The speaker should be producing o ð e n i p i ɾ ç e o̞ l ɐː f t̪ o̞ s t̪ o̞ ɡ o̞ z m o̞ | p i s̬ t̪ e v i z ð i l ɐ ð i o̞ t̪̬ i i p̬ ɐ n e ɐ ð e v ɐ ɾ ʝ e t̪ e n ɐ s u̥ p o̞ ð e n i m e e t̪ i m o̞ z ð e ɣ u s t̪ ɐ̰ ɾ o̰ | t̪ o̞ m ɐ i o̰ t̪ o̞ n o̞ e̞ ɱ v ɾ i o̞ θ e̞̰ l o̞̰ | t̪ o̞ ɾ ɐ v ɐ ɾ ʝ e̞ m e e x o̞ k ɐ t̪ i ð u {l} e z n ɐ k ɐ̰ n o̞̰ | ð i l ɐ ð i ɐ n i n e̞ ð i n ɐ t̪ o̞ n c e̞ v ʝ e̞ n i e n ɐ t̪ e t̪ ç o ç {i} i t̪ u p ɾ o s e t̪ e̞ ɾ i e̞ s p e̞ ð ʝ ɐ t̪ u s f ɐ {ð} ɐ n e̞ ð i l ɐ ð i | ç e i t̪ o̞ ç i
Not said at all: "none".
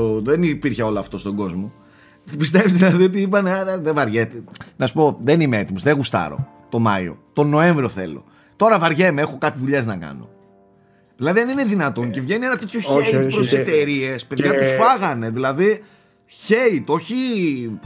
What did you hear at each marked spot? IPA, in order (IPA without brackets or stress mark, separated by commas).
ʎ, e, ɣ